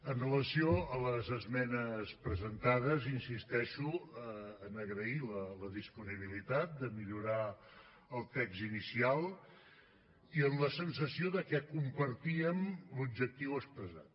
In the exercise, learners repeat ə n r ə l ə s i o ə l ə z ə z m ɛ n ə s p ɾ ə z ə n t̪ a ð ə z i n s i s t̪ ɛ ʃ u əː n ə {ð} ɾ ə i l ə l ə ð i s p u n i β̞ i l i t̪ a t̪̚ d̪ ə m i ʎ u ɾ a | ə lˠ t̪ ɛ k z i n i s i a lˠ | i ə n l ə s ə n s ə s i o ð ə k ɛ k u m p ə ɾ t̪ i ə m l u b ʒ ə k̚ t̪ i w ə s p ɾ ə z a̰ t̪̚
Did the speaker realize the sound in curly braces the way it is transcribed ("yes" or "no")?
no